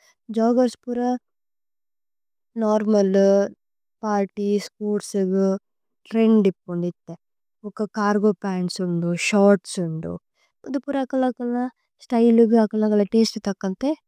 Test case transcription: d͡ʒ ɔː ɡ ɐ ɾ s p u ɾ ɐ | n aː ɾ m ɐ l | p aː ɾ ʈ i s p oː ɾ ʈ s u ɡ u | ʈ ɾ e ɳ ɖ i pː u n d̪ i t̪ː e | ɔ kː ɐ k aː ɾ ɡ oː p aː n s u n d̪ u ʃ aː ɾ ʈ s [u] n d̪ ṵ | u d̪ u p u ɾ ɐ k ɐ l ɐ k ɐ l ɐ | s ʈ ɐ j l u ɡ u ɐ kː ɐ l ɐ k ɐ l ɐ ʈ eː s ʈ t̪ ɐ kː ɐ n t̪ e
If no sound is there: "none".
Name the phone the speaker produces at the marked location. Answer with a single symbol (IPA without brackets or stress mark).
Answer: u